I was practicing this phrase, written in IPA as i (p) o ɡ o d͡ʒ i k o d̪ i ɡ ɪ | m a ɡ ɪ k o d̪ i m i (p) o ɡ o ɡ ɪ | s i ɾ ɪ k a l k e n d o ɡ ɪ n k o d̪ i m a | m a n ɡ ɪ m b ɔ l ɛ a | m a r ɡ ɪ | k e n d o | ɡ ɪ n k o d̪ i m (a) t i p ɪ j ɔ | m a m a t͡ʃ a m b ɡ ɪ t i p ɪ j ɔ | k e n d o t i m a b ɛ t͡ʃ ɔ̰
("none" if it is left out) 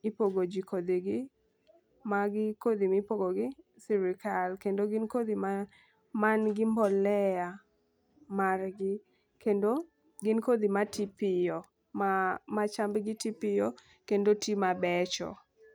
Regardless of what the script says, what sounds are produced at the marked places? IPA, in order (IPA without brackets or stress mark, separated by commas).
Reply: p, p, a